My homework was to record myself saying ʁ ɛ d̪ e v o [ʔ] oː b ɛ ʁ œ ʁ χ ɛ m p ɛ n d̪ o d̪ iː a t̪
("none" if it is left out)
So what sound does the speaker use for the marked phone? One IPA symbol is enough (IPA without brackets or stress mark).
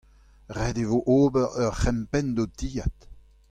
ʔ